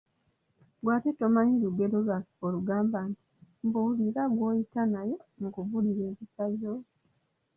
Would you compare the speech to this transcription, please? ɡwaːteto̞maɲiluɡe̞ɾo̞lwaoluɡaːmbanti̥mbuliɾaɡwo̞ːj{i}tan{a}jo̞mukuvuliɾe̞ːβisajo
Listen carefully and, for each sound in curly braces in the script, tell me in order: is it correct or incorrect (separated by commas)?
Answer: correct, correct